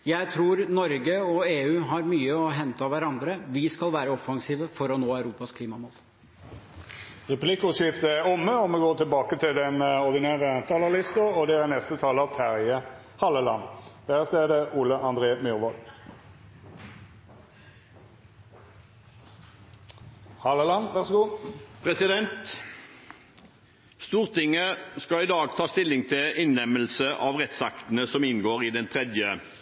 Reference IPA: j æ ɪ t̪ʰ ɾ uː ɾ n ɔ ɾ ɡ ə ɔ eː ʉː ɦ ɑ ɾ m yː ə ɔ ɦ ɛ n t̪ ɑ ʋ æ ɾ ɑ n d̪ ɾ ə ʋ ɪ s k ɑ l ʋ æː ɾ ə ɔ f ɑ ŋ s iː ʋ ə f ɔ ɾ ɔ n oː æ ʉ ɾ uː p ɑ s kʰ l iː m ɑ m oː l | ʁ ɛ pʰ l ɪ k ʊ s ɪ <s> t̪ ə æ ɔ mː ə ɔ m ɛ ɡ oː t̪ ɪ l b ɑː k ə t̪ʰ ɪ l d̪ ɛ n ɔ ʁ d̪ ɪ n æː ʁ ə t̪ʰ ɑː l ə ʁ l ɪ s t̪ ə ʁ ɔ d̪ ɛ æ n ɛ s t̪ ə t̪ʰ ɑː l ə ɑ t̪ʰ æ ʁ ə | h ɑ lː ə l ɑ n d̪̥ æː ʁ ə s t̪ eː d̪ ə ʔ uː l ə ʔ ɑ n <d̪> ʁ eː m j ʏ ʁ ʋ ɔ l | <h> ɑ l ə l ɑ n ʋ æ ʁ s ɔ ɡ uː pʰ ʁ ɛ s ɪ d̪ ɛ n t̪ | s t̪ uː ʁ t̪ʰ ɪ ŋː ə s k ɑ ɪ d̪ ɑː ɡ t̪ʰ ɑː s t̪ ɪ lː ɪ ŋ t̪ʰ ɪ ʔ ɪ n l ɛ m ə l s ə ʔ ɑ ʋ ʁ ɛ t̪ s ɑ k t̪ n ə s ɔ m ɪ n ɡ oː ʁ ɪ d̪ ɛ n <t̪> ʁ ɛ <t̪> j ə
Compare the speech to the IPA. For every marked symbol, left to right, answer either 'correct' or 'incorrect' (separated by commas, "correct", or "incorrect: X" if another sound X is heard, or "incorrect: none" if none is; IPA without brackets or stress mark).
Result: incorrect: f, correct, correct, incorrect: t̪ʰ, incorrect: d̪